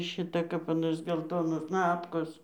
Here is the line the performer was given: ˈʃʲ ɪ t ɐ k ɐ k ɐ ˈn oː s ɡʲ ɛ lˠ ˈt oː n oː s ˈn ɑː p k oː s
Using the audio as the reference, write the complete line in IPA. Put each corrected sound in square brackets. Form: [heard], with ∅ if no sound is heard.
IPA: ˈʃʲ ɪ t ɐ k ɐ [p] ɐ ˈn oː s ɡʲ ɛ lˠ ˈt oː n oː s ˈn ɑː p k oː s